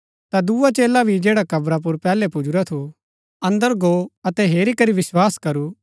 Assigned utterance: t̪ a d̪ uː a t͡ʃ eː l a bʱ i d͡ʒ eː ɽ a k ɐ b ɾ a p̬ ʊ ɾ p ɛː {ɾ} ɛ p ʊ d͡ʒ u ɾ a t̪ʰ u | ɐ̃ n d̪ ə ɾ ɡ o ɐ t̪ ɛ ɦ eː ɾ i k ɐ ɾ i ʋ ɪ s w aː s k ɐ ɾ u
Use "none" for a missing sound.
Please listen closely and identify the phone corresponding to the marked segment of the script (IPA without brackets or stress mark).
l